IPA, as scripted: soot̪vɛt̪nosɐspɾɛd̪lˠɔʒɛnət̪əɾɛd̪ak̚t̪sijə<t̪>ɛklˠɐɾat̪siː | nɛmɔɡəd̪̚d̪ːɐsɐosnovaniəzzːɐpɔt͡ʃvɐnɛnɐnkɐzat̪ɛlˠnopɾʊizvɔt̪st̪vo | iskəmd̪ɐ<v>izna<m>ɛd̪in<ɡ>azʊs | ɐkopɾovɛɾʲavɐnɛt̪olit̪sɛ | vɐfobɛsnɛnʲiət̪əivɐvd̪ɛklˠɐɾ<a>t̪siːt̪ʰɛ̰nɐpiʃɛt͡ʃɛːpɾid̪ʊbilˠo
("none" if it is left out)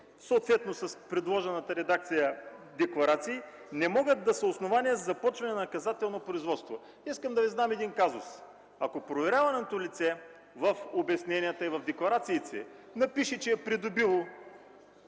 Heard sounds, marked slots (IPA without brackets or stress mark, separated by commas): d̪, v, m, k, a